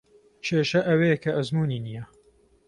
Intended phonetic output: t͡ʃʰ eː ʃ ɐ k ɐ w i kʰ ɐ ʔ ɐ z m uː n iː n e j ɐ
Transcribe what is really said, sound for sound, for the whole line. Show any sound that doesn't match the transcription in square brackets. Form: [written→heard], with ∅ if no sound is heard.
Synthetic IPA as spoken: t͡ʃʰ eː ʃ ɐ [k→ʔ] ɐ w [i→e] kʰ ɐ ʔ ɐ z m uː n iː n [e→i] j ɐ